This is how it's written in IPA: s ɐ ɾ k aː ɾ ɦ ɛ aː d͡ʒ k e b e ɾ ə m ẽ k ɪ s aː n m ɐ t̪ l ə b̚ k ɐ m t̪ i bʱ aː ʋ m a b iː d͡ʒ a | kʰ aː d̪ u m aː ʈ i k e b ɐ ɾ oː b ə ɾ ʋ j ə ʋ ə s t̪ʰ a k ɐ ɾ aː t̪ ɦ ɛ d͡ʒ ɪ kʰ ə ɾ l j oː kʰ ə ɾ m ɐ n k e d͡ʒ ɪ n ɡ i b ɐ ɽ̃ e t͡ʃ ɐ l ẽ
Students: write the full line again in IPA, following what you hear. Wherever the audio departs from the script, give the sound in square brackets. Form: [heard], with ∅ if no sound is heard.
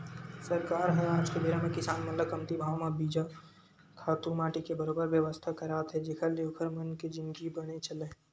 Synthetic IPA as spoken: s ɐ ɾ k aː ɾ ɦ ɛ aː d͡ʒ k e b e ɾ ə m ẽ k ɪ s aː n m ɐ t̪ l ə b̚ k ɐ m t̪ i bʱ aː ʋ m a b iː d͡ʒ a | kʰ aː [t̪] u m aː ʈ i k e b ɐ ɾ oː b ə ɾ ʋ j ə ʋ ə s t̪ʰ a k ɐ ɾ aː t̪ ɦ ɛ d͡ʒ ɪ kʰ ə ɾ l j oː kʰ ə ɾ m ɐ n k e d͡ʒ ɪ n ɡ i b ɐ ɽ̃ e t͡ʃ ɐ l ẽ